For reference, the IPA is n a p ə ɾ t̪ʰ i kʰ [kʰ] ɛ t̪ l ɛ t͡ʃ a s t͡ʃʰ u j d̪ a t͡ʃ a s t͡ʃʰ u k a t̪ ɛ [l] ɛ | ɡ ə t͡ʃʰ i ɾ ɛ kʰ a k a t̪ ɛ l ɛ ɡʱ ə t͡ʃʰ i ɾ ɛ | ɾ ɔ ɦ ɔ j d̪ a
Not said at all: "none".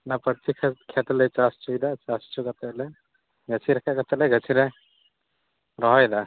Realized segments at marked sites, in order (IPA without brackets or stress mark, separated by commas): kʰ, l